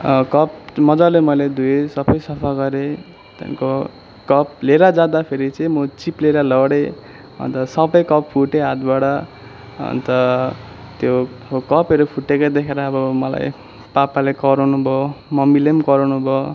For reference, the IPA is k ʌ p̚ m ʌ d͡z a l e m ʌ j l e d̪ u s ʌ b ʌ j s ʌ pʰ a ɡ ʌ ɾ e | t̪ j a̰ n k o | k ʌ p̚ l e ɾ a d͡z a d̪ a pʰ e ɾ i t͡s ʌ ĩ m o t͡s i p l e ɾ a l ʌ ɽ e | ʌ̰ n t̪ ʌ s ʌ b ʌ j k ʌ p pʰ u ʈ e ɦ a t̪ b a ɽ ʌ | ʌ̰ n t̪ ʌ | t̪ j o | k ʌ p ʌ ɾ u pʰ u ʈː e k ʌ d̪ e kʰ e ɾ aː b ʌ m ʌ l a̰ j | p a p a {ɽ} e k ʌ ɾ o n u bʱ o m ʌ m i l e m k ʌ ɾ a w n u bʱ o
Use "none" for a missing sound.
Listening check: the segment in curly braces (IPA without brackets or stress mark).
l